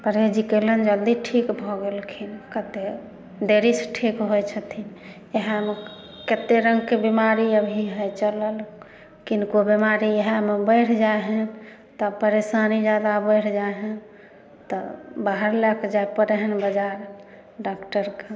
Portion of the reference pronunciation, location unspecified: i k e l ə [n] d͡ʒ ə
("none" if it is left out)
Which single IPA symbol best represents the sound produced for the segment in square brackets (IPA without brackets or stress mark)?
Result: n